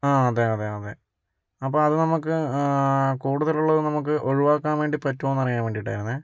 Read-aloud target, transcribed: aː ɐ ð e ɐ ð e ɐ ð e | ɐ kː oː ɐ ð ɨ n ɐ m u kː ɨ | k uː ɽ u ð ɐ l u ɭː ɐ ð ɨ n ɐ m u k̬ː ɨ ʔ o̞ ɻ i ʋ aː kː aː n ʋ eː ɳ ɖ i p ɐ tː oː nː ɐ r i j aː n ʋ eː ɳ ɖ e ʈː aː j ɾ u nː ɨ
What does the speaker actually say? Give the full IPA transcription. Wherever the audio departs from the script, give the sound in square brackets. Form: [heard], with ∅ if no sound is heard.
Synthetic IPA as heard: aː ɐ ð e ɐ ð e ɐ ð e | ɐ [pː] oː ɐ ð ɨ n ɐ m u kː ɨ | k uː ɽ u ð ɐ l u ɭː ɐ ð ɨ n ɐ m u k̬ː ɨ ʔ o̞ ɻ i ʋ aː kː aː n ʋ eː ɳ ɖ i p ɐ tː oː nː ɐ r i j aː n ʋ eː ɳ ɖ [i] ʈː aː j ɾ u nː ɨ

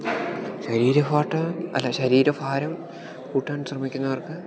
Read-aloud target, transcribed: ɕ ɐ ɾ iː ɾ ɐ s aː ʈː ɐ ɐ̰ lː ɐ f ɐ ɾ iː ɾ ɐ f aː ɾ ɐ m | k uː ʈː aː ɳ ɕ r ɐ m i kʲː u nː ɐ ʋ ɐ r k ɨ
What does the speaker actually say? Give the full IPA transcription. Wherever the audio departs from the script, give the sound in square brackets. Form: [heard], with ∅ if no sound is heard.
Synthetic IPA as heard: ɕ ɐ ɾ iː ɾ ɐ [f] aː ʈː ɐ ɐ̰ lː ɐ [ɕ] ɐ ɾ iː ɾ ɐ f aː ɾ ɐ m | k uː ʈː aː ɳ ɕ r ɐ m i kʲː u nː ɐ ʋ ɐ r k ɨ

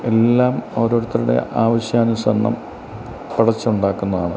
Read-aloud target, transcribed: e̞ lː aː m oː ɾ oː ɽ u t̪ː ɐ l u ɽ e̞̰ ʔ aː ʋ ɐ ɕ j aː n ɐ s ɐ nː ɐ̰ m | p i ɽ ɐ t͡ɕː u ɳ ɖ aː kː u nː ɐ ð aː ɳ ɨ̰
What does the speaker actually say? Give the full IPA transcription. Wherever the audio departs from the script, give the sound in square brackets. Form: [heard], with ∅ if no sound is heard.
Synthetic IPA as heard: e̞ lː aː m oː ɾ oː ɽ u t̪ː ɐ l u ɽ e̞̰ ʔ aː ʋ ɐ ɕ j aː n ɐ s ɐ nː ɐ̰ m | p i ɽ ɐ t͡ɕː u ɳ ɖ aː kː u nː ɐ ð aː ɳ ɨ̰

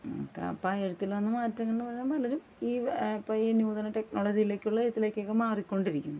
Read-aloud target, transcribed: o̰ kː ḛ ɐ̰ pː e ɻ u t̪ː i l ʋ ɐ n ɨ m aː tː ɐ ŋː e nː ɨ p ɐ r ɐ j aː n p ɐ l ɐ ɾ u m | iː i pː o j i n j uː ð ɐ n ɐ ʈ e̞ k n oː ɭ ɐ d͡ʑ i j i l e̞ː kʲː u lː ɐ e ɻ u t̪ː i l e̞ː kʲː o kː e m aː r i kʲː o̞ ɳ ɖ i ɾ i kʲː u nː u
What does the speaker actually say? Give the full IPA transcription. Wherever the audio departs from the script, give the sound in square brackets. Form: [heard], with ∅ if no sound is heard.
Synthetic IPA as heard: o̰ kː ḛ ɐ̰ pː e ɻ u t̪ː i l ʋ ɐ [nː] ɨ m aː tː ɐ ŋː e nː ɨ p ɐ r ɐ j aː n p ɐ l ɐ ɾ u m | iː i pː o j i n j uː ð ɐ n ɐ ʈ e̞ k n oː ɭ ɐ d͡ʑ i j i l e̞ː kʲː u [ɭː] ɐ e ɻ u t̪ː i l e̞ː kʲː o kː e m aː r i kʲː o̞ ɳ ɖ i ɾ i kʲː u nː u

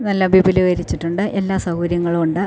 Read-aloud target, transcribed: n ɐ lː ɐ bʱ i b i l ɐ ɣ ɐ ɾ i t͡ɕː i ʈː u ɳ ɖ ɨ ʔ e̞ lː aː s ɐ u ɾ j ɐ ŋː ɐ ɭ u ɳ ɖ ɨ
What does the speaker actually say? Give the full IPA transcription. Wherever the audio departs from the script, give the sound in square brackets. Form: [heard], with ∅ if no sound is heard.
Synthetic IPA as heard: n ɐ lː ɐ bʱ i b i l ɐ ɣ ɐ ɾ i t͡ɕː i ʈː u ɳ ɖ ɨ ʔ e̞ lː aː s ɐ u ɾ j ɐ ŋː ɐ ɭ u ɳ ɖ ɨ

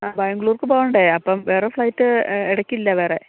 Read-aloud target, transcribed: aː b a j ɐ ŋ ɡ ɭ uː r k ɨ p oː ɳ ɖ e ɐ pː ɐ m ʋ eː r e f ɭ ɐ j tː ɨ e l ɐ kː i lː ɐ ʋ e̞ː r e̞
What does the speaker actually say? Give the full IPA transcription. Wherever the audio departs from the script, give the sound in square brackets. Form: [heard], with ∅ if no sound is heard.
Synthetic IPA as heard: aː b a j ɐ ŋ ɡ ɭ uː r k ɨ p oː ɳ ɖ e ɐ pː ɐ m ʋ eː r e f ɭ ɐ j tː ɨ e [ɽ] ɐ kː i lː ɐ ʋ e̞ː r e̞

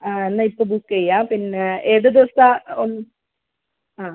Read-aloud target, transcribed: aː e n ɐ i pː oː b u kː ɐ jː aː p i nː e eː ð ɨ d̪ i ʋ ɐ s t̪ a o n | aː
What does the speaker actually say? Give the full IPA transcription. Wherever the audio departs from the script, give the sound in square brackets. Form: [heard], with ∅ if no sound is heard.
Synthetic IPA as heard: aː e [nː] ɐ i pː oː b u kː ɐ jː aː p i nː e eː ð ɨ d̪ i ʋ ɐ s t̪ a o n | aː

